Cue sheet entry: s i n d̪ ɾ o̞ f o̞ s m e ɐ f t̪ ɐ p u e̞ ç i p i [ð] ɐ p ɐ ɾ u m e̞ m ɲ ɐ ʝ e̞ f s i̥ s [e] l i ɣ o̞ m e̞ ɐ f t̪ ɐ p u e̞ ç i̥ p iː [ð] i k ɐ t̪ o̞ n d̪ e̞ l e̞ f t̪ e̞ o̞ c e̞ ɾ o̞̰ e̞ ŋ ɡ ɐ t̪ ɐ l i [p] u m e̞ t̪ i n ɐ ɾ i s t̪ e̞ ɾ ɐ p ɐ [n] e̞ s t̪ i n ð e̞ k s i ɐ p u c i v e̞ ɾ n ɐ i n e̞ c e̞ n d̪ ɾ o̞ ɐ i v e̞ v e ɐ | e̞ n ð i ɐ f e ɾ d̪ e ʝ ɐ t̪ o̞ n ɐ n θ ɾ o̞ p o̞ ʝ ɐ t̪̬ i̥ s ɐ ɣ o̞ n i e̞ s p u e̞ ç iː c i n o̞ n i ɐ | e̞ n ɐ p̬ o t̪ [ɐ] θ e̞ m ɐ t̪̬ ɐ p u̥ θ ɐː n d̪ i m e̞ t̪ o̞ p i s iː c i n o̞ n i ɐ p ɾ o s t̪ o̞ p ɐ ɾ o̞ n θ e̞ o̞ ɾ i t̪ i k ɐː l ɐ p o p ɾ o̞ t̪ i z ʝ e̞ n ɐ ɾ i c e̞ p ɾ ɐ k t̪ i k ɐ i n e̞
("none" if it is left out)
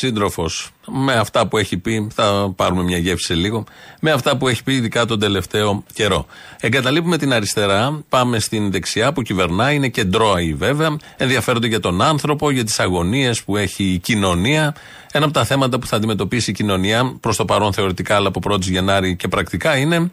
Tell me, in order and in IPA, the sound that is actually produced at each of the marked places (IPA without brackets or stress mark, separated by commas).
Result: θ, e, ð, p, m, ɐ